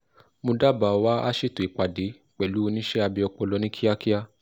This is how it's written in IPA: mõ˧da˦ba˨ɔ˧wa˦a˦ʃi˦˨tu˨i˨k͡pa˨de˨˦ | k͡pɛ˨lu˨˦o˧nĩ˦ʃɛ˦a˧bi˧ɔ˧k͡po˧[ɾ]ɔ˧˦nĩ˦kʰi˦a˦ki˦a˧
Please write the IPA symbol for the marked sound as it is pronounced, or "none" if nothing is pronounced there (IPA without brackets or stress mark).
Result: l